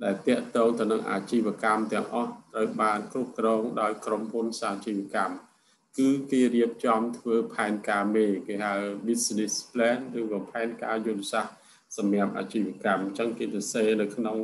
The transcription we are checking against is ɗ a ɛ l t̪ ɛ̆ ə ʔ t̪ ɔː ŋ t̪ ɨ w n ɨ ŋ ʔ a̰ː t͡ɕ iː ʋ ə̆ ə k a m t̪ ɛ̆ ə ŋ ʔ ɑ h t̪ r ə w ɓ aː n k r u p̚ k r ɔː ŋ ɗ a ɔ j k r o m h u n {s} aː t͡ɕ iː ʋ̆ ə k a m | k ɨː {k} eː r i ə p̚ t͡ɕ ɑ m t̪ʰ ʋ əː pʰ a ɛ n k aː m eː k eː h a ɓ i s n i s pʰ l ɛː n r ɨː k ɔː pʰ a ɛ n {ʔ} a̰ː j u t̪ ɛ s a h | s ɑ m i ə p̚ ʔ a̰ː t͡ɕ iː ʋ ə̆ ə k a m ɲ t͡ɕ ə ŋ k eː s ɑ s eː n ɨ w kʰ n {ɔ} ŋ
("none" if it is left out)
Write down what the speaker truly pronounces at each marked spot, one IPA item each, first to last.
s, k, k, o

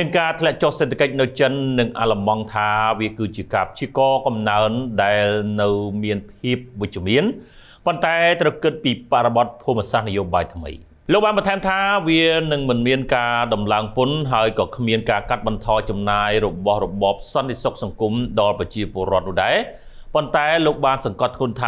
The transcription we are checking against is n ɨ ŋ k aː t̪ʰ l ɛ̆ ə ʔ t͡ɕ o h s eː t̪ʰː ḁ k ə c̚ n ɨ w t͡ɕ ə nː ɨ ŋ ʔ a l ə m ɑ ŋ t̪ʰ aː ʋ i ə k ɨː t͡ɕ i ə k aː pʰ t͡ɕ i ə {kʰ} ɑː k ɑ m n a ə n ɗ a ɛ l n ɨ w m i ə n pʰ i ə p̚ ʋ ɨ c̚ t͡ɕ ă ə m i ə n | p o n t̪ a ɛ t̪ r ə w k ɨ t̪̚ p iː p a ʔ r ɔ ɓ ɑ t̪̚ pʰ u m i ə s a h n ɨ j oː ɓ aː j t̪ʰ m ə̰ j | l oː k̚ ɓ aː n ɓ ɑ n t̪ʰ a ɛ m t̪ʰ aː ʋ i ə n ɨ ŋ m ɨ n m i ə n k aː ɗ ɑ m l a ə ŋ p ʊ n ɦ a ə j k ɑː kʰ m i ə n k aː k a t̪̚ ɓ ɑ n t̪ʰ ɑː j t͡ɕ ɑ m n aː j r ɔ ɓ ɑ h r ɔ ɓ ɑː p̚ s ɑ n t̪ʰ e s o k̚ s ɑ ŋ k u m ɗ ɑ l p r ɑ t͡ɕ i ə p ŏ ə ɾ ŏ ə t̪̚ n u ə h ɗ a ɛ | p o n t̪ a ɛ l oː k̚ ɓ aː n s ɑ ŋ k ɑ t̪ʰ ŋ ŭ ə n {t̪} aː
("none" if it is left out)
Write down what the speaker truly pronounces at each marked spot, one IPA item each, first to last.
k, t̪ʰ

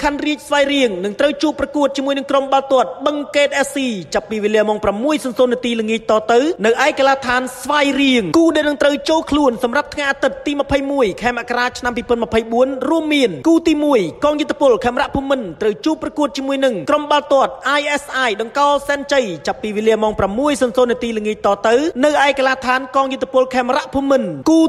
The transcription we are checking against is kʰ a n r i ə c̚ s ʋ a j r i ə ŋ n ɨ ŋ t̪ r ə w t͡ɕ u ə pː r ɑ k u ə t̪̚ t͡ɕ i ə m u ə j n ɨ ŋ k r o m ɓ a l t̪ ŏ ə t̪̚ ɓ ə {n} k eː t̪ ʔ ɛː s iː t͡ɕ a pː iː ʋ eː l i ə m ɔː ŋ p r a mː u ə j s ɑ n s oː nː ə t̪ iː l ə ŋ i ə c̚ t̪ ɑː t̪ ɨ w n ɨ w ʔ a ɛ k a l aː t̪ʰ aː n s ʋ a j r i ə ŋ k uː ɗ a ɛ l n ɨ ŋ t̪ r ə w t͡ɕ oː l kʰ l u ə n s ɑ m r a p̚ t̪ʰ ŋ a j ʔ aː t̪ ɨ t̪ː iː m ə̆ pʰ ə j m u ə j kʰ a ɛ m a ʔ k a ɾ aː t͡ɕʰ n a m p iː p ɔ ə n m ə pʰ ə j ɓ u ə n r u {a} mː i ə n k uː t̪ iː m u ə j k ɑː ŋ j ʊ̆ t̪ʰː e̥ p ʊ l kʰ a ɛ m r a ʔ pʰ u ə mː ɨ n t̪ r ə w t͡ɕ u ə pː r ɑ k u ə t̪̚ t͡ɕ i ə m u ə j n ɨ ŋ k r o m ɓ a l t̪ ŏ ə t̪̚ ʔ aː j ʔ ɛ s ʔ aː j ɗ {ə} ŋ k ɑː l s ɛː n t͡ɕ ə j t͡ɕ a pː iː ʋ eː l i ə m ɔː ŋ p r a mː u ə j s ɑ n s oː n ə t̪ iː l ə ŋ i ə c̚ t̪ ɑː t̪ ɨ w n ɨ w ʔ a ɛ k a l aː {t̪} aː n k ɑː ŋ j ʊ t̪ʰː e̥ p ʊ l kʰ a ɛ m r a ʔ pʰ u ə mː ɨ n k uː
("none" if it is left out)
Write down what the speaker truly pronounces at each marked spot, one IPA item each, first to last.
ŋ, ə, ɑ, t̪ʰ

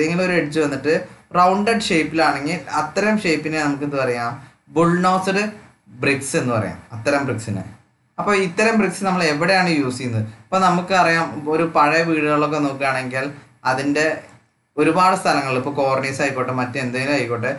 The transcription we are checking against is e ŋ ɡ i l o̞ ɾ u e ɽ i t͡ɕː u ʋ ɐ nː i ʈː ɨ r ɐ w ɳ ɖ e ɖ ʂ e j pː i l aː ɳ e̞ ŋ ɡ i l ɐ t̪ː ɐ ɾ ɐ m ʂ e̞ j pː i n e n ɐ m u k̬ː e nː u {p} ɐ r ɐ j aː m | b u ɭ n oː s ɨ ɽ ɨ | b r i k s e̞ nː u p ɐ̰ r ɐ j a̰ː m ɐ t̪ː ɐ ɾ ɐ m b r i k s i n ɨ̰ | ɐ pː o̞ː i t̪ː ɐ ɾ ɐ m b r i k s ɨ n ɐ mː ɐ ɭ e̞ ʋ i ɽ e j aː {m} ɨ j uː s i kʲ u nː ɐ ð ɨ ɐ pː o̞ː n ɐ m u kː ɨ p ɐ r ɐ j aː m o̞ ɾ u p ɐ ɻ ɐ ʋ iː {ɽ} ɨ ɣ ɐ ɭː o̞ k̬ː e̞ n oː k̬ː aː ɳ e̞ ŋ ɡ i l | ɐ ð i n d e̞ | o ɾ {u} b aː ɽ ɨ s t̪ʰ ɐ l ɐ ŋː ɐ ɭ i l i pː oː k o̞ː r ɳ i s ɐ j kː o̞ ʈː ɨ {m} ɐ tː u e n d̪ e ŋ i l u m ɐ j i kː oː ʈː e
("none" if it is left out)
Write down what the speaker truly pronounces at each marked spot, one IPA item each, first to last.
p, ɳ, ɽ, u, m

